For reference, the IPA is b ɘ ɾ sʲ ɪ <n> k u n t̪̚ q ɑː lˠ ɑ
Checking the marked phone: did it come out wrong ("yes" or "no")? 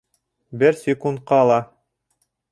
yes